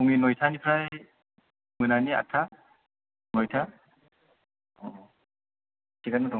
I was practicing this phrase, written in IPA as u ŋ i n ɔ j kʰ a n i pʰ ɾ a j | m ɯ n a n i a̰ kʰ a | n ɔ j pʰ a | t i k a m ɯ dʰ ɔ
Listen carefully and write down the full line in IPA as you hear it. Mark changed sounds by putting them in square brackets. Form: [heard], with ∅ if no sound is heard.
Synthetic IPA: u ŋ i n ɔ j [tʰ] a n i pʰ ɾ a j | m ɯ n a n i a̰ [tʰ] a | n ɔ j [tʰ] a | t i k a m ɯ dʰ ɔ